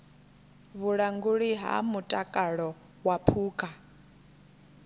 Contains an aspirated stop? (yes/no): yes